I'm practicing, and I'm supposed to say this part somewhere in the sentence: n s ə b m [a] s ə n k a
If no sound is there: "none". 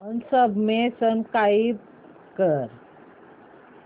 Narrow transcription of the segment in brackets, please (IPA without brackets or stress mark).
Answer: e